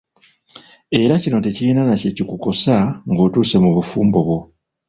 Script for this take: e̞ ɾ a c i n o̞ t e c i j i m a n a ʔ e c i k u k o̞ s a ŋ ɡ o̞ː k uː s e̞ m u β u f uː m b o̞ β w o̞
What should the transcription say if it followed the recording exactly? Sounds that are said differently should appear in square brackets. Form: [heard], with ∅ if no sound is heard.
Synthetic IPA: e̞ ɾ a c i n o̞ t e c i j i [n] a n a [c] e c i k u k o̞ s a ŋ ɡ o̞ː [t] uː s e̞ m u β u f uː m b o̞ β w o̞